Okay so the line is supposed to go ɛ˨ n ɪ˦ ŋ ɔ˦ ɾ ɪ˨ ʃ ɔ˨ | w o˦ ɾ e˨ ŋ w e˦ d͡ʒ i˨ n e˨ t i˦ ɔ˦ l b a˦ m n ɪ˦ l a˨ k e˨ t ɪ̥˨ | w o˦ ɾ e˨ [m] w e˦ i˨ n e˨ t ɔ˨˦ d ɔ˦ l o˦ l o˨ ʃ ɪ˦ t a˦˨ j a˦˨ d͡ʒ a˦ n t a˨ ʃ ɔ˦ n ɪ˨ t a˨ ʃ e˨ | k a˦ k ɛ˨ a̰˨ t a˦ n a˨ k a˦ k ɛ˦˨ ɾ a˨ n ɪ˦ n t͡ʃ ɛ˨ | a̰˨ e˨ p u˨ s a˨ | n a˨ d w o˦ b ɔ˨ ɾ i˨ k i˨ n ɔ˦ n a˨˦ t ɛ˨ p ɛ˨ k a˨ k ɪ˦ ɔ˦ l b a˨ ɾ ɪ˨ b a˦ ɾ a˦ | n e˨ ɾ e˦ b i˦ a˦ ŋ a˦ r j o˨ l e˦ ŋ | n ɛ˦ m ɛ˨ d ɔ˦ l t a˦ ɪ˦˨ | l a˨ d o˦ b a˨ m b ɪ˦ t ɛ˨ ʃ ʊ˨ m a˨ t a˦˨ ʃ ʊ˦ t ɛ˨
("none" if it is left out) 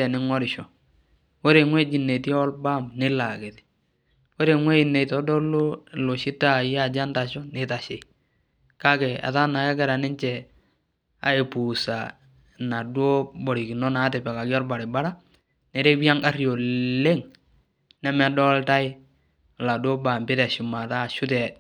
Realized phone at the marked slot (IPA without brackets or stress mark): ŋ